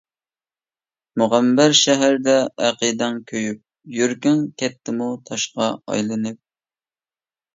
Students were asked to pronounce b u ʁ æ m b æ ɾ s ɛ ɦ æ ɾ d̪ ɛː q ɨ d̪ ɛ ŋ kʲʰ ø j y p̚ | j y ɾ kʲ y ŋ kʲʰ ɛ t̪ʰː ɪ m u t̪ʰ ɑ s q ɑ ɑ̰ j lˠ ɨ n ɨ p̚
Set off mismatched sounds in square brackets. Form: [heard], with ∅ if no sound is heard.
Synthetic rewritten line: [m] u ʁ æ m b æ ɾ [ʃ] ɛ ɦ æ ɾ d̪ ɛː q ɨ d̪ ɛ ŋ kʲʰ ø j y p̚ | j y ɾ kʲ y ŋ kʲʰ ɛ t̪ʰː ɪ m u t̪ʰ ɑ [ʃ] q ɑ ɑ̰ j lˠ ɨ n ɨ p̚